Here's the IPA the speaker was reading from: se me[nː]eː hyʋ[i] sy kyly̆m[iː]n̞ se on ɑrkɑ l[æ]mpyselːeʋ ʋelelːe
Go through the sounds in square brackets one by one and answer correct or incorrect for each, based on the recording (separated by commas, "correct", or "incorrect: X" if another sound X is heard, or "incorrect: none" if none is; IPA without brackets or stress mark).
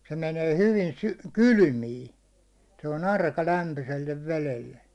incorrect: n, correct, correct, correct